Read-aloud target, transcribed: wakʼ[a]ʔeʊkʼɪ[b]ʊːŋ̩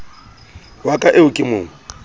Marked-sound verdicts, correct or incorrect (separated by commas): correct, incorrect